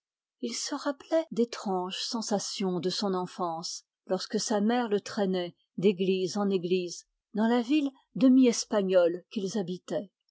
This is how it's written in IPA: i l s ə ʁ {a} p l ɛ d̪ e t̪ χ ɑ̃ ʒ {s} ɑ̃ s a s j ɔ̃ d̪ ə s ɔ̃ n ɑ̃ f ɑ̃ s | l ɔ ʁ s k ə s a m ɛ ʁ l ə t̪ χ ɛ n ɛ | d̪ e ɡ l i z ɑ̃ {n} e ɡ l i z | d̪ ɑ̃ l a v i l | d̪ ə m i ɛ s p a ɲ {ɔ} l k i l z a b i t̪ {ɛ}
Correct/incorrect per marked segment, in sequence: correct, correct, correct, correct, correct

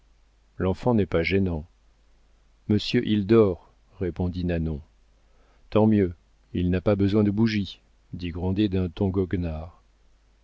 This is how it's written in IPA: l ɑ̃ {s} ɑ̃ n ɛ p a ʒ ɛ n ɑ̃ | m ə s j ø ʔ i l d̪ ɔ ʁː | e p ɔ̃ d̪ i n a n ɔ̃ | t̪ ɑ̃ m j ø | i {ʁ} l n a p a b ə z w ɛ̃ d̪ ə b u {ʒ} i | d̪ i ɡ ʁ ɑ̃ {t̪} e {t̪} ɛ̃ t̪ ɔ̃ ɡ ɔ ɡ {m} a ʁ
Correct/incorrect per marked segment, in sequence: incorrect: f, incorrect: none, correct, incorrect: d̪, incorrect: d̪, incorrect: n

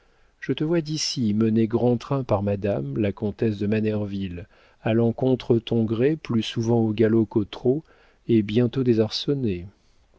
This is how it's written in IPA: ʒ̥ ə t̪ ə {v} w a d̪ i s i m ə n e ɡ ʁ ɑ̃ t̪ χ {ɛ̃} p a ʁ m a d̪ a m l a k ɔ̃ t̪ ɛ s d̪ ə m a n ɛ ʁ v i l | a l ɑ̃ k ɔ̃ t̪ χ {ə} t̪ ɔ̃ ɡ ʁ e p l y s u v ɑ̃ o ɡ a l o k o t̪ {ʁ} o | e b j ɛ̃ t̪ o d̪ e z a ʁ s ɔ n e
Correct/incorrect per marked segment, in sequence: correct, correct, correct, incorrect: χ

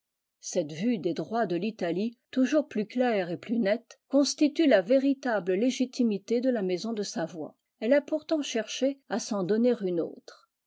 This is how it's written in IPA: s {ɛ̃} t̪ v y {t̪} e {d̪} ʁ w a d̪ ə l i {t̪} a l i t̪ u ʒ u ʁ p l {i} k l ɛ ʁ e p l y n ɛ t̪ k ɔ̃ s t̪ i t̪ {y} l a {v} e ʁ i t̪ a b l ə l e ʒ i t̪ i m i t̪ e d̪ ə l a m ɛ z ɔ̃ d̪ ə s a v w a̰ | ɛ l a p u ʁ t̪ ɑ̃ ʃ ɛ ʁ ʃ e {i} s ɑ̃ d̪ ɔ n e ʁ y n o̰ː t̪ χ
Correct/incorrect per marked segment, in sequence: incorrect: ɛ, incorrect: d̪, correct, correct, incorrect: y, correct, correct, incorrect: a

